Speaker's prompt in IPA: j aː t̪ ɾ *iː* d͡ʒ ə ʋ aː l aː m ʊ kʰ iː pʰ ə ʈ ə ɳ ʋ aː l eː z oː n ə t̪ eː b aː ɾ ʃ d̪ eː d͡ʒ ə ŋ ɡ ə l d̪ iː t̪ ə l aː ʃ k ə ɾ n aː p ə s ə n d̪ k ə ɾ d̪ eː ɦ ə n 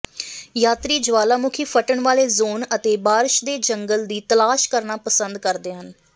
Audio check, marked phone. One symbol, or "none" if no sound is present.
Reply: iː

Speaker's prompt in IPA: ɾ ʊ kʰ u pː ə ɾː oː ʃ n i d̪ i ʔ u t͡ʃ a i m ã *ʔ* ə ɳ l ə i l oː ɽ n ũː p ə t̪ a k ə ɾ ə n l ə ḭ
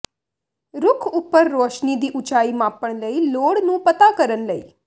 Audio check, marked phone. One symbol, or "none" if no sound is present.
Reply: p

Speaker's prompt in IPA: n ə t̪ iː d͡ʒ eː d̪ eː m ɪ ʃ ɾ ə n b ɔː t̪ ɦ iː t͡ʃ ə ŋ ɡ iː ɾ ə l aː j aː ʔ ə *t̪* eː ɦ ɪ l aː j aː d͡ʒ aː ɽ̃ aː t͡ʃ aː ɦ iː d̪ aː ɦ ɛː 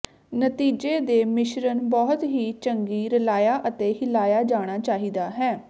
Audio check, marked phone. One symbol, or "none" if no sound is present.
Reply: t̪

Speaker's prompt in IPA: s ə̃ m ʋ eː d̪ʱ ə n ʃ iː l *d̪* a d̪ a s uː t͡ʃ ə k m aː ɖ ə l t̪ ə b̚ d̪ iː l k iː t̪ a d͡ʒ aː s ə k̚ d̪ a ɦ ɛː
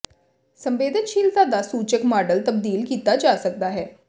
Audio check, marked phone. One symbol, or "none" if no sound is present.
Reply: t̪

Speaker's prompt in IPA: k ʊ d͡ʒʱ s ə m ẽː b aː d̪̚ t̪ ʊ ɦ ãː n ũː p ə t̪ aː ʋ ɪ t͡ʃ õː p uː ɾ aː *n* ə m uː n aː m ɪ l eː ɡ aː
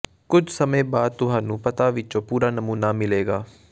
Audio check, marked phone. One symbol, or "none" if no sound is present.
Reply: n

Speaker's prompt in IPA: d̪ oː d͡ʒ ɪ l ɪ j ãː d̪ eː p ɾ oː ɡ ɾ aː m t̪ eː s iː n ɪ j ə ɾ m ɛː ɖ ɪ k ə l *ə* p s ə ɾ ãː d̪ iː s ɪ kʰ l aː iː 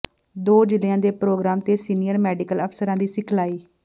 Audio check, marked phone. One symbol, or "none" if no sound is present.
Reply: ə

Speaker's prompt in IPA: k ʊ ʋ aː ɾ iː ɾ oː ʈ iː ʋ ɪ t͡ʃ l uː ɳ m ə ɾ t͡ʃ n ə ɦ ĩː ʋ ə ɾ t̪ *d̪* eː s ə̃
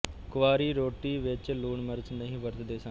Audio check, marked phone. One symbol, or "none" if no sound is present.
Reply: d̪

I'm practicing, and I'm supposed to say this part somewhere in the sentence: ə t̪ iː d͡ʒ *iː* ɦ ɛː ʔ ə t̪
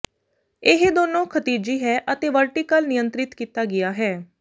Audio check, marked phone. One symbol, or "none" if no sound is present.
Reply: iː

